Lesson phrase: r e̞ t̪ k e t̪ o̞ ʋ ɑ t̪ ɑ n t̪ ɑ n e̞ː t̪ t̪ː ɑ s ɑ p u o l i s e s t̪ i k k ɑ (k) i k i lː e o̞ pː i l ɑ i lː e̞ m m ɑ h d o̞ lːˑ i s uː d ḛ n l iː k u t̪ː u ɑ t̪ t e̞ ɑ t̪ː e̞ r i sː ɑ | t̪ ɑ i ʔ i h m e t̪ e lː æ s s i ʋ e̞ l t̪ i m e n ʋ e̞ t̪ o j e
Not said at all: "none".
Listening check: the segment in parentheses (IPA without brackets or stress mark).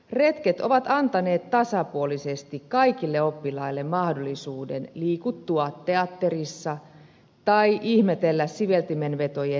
none